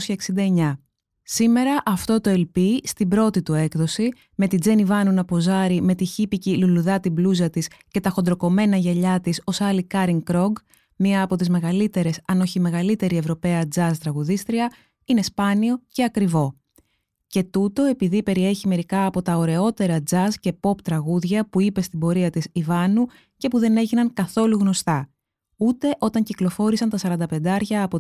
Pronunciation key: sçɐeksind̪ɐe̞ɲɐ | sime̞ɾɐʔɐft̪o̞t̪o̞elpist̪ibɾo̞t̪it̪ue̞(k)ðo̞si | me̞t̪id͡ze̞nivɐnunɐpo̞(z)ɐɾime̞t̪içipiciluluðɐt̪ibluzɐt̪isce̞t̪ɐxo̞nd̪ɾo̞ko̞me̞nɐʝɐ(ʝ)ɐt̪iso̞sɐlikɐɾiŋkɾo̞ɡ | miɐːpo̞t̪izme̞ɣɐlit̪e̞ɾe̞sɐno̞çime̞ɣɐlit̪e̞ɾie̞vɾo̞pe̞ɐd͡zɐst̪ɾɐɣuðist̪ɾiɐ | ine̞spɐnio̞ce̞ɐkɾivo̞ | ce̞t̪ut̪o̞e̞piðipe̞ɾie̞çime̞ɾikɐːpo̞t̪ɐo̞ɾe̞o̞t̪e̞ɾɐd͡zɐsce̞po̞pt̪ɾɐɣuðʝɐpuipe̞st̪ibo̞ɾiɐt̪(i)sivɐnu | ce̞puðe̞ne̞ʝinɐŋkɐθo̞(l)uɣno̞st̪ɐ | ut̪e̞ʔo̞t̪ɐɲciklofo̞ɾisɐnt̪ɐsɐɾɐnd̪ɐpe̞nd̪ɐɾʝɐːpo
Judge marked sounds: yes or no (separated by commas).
yes, yes, no, yes, yes